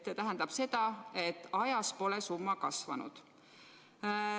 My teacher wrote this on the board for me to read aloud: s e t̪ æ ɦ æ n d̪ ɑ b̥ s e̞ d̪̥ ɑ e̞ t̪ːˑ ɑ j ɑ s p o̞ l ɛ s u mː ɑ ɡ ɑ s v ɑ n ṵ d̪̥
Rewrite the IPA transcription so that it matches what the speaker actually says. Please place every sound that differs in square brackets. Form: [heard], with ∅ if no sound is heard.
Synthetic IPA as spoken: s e t̪ æ ɦ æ n d̪ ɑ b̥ s e̞ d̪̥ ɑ e̞ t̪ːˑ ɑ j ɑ s p o̞ l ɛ s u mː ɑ [k] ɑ s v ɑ n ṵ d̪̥